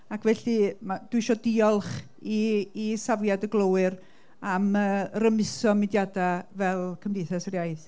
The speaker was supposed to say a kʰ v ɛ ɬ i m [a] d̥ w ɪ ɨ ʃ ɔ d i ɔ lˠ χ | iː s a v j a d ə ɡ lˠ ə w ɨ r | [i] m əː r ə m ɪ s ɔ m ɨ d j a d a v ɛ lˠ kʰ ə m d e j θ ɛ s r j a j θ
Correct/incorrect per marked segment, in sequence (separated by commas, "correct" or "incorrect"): correct, incorrect